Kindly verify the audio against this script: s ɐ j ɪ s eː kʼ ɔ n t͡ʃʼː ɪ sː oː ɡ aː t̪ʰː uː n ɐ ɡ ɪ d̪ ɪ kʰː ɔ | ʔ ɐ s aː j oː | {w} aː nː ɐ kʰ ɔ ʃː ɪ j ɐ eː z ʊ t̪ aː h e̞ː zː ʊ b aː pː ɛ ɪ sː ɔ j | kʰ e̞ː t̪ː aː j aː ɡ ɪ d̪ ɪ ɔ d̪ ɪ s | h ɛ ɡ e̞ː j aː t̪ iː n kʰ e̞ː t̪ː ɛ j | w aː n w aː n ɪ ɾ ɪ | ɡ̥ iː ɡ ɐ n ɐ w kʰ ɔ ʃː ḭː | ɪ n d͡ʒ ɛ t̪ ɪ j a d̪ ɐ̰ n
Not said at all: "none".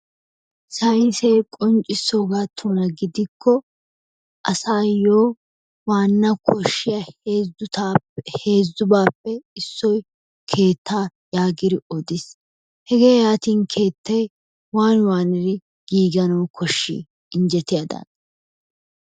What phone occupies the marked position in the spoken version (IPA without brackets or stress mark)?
w